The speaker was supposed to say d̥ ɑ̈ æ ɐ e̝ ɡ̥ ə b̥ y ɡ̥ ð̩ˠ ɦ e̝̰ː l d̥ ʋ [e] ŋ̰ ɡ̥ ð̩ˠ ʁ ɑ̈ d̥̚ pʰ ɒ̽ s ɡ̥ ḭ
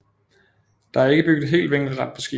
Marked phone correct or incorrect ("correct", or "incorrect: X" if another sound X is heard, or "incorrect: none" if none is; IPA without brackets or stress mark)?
correct